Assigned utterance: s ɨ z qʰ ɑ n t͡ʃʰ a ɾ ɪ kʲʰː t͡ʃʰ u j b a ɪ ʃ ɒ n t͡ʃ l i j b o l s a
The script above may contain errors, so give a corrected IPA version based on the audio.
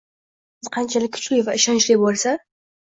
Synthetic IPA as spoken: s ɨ z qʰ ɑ n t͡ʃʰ a l ɪ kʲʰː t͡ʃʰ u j v a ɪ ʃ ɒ n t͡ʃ l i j b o l s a